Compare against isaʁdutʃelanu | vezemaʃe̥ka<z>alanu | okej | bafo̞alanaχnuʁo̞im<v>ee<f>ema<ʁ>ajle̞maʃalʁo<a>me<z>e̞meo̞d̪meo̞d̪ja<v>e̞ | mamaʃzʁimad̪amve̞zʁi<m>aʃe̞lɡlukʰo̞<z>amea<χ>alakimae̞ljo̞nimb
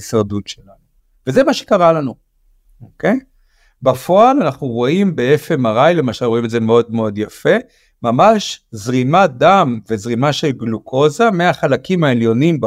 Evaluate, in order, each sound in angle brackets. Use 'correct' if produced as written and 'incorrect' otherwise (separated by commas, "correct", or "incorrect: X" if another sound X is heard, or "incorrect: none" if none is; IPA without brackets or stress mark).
incorrect: ʁ, incorrect: b, correct, correct, incorrect: i, correct, incorrect: f, correct, correct, correct